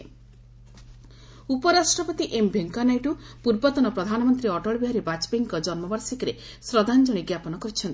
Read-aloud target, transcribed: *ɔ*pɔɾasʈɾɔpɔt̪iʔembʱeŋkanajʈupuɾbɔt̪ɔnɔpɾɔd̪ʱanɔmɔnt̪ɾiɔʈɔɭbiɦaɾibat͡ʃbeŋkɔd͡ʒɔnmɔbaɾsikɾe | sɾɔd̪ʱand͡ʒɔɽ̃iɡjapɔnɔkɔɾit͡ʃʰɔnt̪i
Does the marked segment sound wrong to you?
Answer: yes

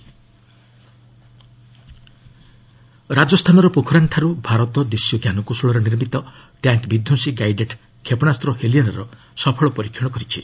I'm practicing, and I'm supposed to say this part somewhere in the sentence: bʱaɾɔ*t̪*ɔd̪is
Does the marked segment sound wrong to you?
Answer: no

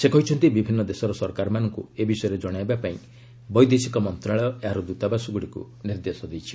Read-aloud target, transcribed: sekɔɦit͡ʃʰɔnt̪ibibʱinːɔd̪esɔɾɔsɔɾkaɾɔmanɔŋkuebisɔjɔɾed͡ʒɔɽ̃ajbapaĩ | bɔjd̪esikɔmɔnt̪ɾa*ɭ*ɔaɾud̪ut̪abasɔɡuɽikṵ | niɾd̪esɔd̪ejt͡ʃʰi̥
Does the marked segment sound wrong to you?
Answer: no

